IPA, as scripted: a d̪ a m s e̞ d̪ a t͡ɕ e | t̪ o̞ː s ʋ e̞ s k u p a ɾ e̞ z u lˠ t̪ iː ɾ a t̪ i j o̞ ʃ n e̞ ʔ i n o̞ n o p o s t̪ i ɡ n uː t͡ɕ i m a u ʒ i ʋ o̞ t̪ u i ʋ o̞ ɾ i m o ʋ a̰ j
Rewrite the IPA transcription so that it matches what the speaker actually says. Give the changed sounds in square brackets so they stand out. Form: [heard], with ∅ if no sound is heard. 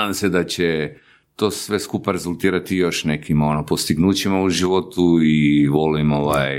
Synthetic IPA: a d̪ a m s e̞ d̪ a t͡ɕ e | t̪ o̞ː s ʋ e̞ s k u p a ɾ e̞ z u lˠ t̪ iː ɾ a t̪ i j o̞ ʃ n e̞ [k] i [m] o̞ n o p o s t̪ i ɡ n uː t͡ɕ i m a u ʒ i ʋ o̞ t̪ u i ʋ o̞ [l] i m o ʋ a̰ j